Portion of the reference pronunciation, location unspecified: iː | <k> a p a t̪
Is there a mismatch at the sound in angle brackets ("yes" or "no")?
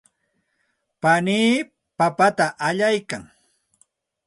yes